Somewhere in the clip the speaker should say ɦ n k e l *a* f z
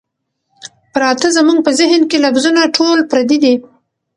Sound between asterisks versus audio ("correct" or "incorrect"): correct